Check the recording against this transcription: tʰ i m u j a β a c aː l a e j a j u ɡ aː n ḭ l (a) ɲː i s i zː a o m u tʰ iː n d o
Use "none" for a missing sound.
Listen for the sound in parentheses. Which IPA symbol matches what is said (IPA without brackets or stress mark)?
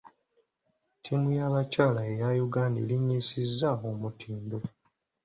i